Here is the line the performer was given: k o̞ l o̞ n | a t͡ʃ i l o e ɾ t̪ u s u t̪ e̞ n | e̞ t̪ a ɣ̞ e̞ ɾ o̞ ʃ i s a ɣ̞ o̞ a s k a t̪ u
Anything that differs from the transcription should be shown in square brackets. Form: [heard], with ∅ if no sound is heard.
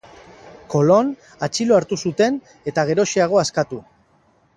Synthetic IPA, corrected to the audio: k o̞ l o̞ n | a t͡ʃ i l o [a] ɾ t̪ u s u t̪ e̞ n | e̞ t̪ a ɣ̞ e̞ ɾ o̞ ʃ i [∅] a ɣ̞ o̞ a s k a t̪ u